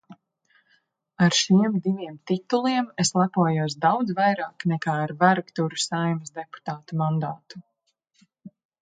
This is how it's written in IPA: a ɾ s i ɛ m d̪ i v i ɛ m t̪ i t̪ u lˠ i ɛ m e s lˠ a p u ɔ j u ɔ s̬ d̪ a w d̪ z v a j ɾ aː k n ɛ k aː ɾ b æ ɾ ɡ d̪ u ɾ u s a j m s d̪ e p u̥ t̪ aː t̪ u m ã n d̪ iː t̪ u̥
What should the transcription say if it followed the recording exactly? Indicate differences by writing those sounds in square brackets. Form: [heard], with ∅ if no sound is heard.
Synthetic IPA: a ɾ [ʃ] i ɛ m d̪ i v i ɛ m t̪ i t̪ u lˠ i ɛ m e s lˠ a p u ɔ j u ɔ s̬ d̪ a w d̪ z v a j ɾ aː k n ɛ k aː ɾ [v] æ ɾ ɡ [t̪] u ɾ u s a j m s d̪ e p u̥ t̪ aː t̪ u m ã n d̪ [aː] t̪ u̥